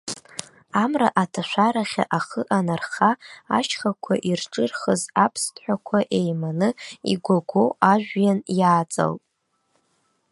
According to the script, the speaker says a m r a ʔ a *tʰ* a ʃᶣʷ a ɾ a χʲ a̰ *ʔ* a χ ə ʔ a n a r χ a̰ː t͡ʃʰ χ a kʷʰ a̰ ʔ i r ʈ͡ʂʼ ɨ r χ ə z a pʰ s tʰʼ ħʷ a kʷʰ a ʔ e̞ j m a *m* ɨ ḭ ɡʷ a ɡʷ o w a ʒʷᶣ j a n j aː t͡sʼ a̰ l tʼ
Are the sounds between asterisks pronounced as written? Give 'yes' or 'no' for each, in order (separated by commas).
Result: yes, yes, no